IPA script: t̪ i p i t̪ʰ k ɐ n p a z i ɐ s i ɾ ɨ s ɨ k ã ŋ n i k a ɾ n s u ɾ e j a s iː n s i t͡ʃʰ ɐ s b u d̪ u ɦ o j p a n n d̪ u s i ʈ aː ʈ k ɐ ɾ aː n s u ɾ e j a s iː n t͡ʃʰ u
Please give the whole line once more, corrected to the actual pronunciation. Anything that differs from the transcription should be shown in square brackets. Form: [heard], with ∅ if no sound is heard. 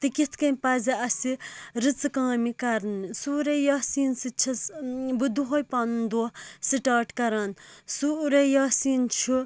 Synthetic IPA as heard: t̪ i [k] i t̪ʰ k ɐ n p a z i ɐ s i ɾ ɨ [t͡s] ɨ k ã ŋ [m] i k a ɾ n s u ɾ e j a s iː n s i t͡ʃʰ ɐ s b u d̪ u ɦ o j p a n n d̪ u s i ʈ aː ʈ k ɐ ɾ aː n s u ɾ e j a s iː n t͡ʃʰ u